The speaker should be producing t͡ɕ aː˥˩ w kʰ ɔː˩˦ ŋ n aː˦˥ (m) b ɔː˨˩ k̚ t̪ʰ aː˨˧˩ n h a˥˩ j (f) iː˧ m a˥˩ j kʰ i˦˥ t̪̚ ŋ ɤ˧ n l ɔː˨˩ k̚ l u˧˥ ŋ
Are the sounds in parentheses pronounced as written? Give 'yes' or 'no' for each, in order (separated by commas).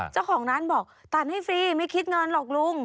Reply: no, yes